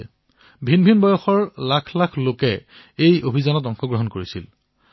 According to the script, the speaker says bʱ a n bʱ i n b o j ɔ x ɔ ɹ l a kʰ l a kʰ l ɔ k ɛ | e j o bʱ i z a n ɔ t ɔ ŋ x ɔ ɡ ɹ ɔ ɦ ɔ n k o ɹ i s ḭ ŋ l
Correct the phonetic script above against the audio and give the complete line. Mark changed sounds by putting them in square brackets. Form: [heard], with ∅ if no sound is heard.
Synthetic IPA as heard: bʱ [i] n bʱ i n b [ɔ] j ɔ x ɔ ɹ l a kʰ l a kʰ l [o] k ɛ | e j o bʱ i z a n ɔ t ɔ ŋ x ɔ ɡ ɹ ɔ ɦ ɔ n k o ɹ i s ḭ [∅] l